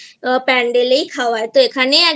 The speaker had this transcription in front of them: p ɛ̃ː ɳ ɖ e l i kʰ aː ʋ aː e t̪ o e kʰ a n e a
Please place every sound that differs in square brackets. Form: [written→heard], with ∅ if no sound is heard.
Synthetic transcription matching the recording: p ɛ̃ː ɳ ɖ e l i kʰ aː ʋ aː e t̪ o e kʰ a n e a